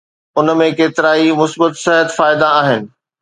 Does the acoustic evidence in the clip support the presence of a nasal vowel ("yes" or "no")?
yes